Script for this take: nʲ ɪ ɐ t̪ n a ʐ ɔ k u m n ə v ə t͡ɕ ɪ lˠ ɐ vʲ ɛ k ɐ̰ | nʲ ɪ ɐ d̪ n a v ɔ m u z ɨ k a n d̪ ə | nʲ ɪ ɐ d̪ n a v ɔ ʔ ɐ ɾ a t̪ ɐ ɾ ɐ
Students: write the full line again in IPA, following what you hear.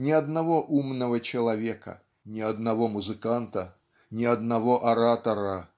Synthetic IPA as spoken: nʲ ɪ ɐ d̪ n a v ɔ ʔ u m n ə v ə t͡ɕ ɪ lˠ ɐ vʲ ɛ k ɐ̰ | nʲ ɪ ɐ d̪ n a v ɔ m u z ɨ k a n t̪ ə | nʲ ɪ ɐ d̪ n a v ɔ ʔ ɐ ɾ a t̪ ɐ ɾ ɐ